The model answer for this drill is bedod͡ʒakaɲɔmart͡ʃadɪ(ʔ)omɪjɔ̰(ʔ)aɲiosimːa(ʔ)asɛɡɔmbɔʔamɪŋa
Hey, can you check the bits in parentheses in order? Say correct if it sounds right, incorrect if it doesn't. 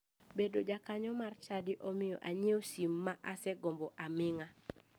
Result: correct, correct, correct

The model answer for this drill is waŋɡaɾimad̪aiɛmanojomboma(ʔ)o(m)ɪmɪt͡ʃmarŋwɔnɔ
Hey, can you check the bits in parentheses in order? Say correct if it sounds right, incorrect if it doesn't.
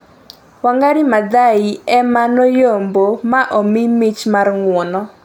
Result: correct, correct

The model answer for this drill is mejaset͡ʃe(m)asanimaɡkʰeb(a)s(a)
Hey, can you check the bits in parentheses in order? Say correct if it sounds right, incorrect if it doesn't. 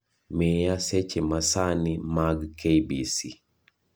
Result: correct, incorrect, incorrect

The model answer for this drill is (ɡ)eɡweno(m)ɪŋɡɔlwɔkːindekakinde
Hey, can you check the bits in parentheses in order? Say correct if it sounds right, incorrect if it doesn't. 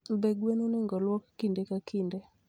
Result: incorrect, incorrect

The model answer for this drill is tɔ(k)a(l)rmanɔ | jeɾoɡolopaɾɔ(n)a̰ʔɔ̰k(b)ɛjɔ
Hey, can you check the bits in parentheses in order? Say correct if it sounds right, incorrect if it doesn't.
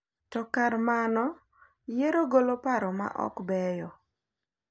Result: correct, incorrect, incorrect, correct

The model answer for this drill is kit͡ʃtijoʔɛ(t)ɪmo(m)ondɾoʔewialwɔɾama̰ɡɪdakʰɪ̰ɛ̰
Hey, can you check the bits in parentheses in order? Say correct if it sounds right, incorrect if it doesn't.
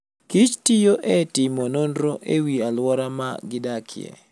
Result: correct, incorrect

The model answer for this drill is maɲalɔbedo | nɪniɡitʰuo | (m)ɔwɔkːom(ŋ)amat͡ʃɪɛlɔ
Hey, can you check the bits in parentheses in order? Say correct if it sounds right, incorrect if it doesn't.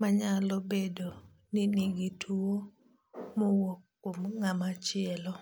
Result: correct, correct

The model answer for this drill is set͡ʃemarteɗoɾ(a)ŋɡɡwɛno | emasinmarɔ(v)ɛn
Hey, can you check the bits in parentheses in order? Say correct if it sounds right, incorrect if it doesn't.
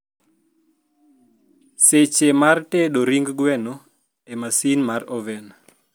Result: incorrect, correct

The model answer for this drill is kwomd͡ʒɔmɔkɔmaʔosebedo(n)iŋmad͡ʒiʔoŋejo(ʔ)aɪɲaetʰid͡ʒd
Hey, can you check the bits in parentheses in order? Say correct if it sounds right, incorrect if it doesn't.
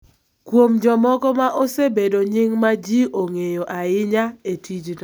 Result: incorrect, correct

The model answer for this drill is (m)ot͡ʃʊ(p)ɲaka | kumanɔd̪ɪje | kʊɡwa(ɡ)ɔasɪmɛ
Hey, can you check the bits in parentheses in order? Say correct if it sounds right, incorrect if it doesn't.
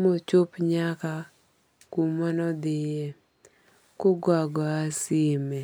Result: correct, correct, correct

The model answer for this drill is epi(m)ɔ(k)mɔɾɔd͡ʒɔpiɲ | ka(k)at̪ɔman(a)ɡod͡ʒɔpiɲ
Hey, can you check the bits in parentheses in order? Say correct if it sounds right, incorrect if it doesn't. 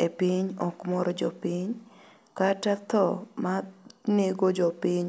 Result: incorrect, correct, incorrect, incorrect

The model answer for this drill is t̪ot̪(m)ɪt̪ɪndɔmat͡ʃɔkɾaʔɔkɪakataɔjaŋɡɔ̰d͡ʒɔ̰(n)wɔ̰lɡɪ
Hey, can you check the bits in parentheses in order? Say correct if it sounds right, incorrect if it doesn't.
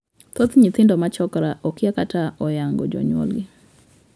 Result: incorrect, incorrect

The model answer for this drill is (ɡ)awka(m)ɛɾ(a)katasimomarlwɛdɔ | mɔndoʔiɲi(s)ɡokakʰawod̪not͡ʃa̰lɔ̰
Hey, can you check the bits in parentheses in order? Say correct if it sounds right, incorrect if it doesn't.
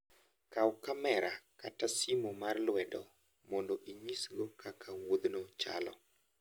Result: incorrect, correct, correct, correct

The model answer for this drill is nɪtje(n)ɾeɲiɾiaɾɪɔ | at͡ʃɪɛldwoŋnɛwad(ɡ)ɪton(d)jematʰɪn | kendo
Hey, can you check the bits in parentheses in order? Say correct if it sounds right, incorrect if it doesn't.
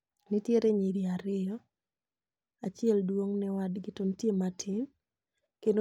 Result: incorrect, correct, incorrect

